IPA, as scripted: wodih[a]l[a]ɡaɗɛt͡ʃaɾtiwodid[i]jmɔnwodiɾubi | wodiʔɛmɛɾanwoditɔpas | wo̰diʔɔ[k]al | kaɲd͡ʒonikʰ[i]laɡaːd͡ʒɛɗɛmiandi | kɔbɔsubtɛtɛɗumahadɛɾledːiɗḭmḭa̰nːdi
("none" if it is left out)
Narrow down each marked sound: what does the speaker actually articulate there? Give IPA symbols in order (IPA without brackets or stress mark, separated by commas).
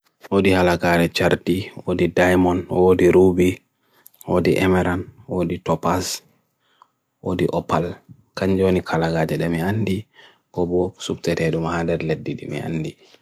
a, a, a, p, a